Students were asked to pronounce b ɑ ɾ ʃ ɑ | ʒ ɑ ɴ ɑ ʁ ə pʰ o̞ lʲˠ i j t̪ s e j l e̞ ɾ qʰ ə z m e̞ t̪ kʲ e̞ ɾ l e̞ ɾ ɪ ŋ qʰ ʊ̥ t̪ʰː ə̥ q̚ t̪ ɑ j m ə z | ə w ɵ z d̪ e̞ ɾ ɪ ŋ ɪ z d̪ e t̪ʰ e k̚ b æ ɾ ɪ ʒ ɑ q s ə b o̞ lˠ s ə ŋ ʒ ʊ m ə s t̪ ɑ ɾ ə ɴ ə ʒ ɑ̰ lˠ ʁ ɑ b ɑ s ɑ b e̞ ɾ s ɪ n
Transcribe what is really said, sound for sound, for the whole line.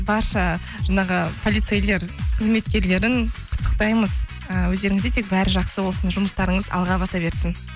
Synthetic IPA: b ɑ ɾ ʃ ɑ | ʒ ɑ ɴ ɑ ʁ ə pʰ o̞ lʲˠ i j t̪ s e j l e̞ ɾ qʰ ə z m e̞ t̪ kʲ e̞ ɾ l e̞ ɾ ɪ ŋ qʰ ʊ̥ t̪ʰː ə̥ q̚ t̪ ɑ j m ə z | ə w ɵ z d̪ e̞ ɾ ɪ ŋ ɪ z d̪ e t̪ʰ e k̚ b æ ɾ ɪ ʒ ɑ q s ə b o̞ lˠ s ə n ʒ ʊ m ə s t̪ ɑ ɾ ə ɴ ə z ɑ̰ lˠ ʁ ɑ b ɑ s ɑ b e̞ ɾ s ɪ n

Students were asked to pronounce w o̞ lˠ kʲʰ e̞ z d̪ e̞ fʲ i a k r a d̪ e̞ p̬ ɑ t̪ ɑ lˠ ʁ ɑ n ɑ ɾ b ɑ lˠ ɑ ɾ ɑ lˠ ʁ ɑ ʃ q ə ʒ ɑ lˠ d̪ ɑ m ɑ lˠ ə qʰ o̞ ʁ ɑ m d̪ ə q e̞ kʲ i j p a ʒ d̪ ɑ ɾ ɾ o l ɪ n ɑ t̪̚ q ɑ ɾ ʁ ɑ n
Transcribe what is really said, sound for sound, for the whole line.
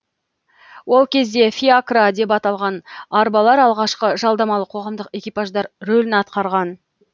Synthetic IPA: w o̞ lˠ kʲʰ e̞ z d̪ e̞ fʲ i a k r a d̪ e̞ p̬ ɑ t̪ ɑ lˠ ʁ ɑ n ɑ ɾ b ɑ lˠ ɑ ɾ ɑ lˠ ʁ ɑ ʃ q ə ʒ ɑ lˠ d̪ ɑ m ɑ lˠ ə qʰ o̞ ʁ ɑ m d̪ ə q e̞ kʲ i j p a ʒ d̪ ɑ ɾ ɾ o l ɪ n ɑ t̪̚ q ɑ ɾ ʁ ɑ n

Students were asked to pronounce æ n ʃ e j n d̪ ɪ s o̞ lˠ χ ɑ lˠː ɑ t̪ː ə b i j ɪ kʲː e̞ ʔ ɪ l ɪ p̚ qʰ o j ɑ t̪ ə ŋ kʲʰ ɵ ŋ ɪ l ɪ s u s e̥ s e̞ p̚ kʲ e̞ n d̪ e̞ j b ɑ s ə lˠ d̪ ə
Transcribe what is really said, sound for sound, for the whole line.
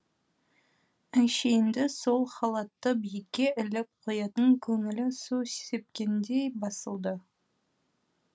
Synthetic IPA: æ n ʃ e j n d̪ ɪ s o̞ lˠ χ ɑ lˠ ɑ t̪ː ə b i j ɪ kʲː e̞ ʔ ɪ l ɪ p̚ qʰ o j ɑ t̪ ə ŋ kʲʰ ɵ ŋ ɪ l ɪ s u s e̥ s e̞ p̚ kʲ e̞ n d̪ e̞ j b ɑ s ə lˠ d̪ ə

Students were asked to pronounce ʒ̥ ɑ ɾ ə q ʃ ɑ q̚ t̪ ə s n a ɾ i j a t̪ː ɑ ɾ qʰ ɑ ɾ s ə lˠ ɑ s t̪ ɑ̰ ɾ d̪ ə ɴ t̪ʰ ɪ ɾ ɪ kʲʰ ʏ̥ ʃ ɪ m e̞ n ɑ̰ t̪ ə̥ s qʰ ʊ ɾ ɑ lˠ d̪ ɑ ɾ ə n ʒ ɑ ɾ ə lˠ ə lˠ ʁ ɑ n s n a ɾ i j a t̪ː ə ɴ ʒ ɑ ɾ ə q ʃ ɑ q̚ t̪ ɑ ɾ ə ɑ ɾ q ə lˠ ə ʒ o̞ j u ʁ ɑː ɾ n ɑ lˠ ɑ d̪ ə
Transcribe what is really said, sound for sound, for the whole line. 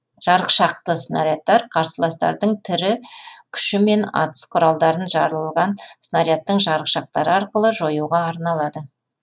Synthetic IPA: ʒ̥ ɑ ɾ ə q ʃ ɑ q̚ t̪ ə s n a ɾ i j a t̪ː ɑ ɾ qʰ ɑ ɾ s ə lˠ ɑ s t̪ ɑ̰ ɾ d̪ ə ɴ t̪ʰ ɪ ɾ ɪ kʲʰ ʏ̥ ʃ ɪ m e̞ n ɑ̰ t̪ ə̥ s qʰ ʊ ɾ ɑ lˠ d̪ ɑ ɾ ə n ʒ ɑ ɾ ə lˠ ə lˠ ʁ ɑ n s n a ɾ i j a t̪ː ə ɴ ʒ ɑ ɾ ə q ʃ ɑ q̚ t̪ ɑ ɾ ə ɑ ɾ q ə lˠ ə ʒ o̞ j u ʁ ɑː ɾ n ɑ lˠ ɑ d̪ ə

